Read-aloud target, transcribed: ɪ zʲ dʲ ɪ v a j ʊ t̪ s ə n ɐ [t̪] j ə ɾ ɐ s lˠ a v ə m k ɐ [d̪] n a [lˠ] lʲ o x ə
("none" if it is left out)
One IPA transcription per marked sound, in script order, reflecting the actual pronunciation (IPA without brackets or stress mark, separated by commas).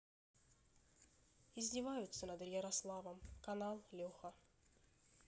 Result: d̪, none, lˠ